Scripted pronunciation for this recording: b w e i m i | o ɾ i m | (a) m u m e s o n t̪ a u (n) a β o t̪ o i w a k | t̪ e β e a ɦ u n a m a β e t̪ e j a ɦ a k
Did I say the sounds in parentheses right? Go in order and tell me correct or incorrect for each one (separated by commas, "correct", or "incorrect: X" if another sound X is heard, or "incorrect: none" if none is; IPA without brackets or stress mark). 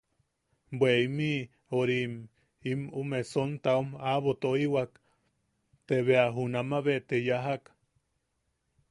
incorrect: i, incorrect: m